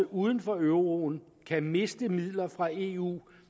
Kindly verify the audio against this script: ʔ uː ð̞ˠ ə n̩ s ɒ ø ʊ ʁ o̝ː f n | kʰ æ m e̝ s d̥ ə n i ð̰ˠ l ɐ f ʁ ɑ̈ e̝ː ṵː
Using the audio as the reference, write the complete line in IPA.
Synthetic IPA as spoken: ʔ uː ð̞ˠ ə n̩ f ɒ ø ʊ ʁ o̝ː n | kʰ æ m e̝ s d̥ ə m i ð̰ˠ l ɐ f ʁ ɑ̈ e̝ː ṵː